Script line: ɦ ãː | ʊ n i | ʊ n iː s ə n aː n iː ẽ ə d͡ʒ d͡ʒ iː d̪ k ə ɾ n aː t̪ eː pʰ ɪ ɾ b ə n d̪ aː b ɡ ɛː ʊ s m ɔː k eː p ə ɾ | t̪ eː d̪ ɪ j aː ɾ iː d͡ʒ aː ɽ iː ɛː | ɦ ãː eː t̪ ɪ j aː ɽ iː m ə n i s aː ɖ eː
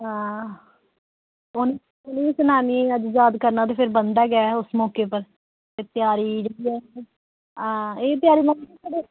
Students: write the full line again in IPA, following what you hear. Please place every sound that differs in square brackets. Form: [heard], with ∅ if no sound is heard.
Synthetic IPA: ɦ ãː | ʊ n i | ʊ n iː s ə n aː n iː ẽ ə d͡ʒ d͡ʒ [aː] d̪ k ə ɾ n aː t̪ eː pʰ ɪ ɾ b ə n d̪ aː [∅] ɡ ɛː ʊ s m ɔː k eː p ə ɾ | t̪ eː [t̪] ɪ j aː ɾ iː d͡ʒ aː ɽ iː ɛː | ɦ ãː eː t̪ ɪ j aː [ɾ] iː m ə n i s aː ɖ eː